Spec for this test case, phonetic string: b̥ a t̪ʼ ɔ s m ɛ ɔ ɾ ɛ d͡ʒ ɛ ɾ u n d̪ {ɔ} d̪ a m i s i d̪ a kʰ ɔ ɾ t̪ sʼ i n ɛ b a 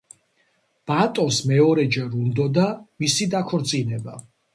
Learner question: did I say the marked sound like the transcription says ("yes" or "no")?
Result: yes